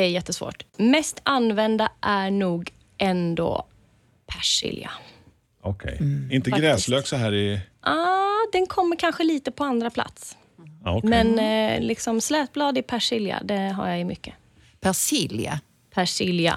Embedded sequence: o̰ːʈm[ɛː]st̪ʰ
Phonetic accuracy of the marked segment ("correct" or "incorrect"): incorrect